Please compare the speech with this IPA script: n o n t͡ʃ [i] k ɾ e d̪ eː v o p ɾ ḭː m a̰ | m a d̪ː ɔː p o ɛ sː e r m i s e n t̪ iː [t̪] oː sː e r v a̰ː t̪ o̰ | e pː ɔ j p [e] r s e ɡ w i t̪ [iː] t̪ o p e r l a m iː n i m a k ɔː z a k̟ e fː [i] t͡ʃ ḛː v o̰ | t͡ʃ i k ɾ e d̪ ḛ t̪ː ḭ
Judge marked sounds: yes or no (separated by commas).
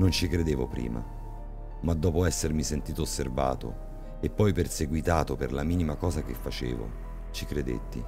yes, yes, yes, no, no